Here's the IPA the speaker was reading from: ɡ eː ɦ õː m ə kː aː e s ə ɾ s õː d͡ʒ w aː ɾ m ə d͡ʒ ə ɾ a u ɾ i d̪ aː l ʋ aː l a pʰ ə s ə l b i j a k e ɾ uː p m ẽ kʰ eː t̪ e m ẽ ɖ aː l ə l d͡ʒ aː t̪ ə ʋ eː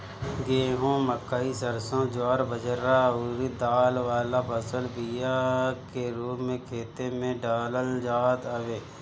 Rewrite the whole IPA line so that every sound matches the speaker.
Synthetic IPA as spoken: ɡ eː ɦ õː m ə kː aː i s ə ɾ s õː d͡ʒ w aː ɾ b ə d͡ʒ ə ɾ a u ɾ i d̪ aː l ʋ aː l a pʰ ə s ə l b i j a k e ɾ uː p m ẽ kʰ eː t̪ e m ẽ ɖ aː l ə l d͡ʒ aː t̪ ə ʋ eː